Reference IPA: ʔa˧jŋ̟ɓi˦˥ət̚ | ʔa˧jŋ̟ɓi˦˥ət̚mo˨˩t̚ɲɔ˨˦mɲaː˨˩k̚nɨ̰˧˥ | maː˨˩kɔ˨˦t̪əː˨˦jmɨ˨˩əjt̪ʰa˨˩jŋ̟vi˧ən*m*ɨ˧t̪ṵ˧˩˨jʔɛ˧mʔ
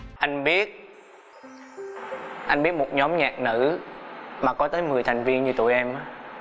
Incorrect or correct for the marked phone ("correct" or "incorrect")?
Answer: incorrect